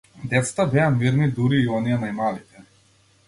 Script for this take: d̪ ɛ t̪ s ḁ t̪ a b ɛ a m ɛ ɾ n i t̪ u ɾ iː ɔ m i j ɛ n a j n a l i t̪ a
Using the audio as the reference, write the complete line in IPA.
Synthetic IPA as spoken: d̪ ɛ t̪ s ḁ t̪ a b ɛ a m i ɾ n i d̪ u ɾ iː ɔ n i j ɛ n a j m a l i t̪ ɛ

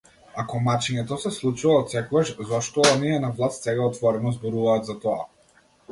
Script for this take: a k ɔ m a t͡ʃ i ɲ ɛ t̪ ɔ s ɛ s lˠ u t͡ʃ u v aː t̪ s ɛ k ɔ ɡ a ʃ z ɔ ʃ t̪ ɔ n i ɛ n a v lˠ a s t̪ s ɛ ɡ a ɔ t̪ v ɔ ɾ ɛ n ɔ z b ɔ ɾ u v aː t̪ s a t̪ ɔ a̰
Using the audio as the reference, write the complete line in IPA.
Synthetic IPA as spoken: a k ɔ m a t͡ʃ i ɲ ɛ t̪ ɔ s ɛ s lˠ u t͡ʃ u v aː t̪ s ɛ k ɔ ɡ a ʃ z ɔ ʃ t̪ ɔ n i ɛ n a v lˠ a s t̪ s ɛ ɡ a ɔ t̪ v ɔ ɾ ɛ n ɔ z b ɔ ɾ u v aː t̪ z a t̪ ɔ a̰

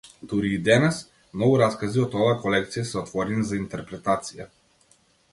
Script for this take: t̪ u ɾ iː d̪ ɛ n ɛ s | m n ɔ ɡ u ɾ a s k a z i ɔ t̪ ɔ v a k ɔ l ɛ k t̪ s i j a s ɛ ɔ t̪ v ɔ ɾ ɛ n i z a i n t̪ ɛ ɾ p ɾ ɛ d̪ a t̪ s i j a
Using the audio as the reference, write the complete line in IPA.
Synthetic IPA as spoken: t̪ u ɾ iː d̪ ɛ n ɛ s | m n ɔ ɡ u ɾ a s k a z i ɔ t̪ ɔ v a k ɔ l ɛ k t̪ s i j a s ɛ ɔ t̪ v ɔ ɾ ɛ n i z a i n t̪ ɛ ɾ p ɾ ɛ t̪ a t̪ s i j a

